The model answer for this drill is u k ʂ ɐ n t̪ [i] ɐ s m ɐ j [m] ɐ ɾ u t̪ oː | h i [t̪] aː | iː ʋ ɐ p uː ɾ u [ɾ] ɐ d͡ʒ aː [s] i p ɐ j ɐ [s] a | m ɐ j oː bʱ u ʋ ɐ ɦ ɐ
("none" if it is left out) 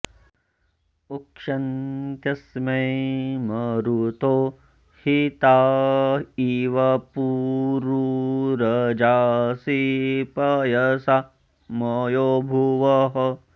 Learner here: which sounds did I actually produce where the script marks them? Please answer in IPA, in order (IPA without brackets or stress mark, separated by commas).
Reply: j, m, t̪, ɾ, s, s